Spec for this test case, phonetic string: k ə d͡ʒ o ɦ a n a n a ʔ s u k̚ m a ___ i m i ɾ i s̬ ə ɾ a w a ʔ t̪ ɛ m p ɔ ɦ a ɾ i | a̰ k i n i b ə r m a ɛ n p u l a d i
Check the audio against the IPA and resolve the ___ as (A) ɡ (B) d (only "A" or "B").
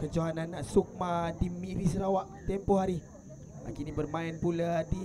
B